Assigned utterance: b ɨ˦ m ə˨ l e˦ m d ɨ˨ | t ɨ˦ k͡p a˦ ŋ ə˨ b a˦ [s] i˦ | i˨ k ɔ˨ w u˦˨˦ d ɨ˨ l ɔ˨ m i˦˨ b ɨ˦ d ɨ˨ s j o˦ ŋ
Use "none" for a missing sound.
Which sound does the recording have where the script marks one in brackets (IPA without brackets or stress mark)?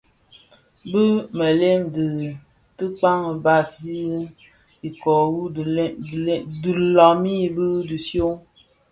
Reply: s